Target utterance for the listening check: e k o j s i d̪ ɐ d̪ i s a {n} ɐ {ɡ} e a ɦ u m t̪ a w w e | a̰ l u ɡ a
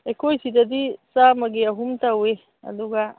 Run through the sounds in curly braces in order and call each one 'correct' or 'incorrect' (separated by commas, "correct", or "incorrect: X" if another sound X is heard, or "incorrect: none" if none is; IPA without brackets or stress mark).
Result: incorrect: m, correct